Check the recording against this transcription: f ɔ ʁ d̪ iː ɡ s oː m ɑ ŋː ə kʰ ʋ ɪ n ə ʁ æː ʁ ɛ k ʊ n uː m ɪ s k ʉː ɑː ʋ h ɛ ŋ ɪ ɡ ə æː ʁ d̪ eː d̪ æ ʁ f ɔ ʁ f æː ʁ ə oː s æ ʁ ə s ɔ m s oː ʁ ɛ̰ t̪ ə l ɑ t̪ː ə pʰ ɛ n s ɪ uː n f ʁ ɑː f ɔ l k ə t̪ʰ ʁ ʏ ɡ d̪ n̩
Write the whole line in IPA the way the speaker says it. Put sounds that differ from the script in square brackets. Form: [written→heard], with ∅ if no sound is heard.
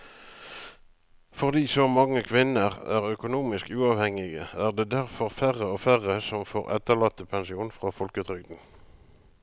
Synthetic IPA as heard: f ɔ ʁ d̪ iː [ɡ→∅] s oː m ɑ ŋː ə kʰ ʋ ɪ n ə ʁ æː ʁ [ɛ→œ] k ʊ n uː m ɪ s k ʉː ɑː ʋ h ɛ ŋ ɪ ɡ ə æː ʁ d̪ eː d̪ æ ʁ f ɔ ʁ f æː ʁ ə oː [s→f] æ ʁ ə s ɔ m [s→f] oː ʁ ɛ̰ t̪ ə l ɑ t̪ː ə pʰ ɛ n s ɪ uː n f ʁ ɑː f ɔ l k ə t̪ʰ ʁ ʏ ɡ d̪ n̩